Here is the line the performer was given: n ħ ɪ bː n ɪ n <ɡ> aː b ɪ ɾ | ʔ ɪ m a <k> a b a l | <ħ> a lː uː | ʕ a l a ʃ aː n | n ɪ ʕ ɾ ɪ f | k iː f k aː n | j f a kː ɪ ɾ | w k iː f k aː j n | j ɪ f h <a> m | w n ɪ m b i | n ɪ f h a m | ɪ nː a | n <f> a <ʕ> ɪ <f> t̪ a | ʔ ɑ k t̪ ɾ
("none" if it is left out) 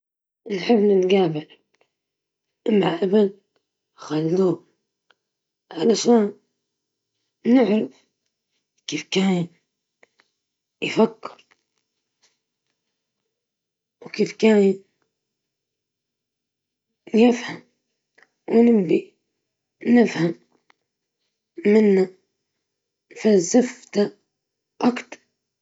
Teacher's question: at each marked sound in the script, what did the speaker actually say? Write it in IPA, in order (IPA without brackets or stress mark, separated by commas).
ɡ, ʔ, x, a, f, z, f